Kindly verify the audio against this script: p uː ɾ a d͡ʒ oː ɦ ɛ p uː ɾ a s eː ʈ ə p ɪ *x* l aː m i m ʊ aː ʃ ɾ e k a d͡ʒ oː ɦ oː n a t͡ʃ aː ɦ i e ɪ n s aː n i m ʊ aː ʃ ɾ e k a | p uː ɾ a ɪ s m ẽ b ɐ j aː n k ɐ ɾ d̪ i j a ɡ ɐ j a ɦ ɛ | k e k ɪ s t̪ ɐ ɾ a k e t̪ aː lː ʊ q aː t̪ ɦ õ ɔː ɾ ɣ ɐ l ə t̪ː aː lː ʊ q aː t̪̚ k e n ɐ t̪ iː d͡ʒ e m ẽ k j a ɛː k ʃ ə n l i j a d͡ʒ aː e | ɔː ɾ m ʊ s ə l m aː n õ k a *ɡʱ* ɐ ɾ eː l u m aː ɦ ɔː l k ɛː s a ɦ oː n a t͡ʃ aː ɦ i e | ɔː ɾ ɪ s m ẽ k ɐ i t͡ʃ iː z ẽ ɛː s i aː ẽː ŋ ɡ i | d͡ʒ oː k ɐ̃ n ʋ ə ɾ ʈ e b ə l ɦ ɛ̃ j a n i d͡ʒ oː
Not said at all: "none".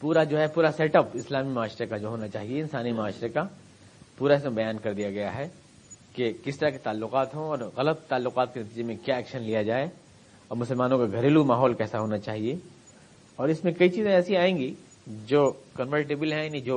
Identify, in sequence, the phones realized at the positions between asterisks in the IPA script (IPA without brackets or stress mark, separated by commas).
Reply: s, ɡʱ